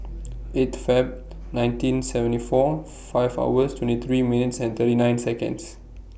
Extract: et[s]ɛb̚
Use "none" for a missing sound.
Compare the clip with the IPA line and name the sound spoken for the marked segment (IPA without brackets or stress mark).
f